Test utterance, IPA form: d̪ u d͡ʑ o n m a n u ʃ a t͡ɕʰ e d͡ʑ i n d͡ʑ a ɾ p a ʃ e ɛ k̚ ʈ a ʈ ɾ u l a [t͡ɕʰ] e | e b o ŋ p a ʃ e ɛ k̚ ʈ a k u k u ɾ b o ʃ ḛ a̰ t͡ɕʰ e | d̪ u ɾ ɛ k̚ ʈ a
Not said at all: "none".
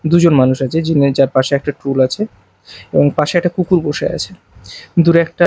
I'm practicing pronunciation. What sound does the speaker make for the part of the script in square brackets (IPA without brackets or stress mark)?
t͡ɕʰ